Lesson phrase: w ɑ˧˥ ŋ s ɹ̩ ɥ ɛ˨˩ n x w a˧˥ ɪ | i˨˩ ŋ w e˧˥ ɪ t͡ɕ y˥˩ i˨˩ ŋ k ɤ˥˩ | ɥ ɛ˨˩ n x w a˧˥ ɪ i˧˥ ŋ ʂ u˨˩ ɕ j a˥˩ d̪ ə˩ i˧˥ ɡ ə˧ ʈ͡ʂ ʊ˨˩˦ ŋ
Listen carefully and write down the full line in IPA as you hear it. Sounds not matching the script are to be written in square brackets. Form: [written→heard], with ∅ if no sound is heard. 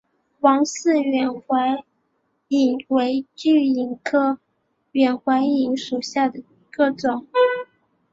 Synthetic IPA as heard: w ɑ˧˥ ŋ s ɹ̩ ɥ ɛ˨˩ n x w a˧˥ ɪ | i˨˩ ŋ w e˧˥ ɪ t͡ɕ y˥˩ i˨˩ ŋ [k→kʰ] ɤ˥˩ | ɥ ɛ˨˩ n x w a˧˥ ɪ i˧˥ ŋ ʂ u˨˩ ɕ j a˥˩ d̪ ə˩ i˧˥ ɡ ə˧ ʈ͡ʂ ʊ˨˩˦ ŋ